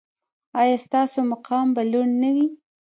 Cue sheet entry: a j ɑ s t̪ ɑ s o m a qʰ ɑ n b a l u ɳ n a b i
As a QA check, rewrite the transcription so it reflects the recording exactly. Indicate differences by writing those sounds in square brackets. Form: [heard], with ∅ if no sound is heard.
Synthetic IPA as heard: [ɑ] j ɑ s t̪ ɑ s o m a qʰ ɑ [m] b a l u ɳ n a [w] i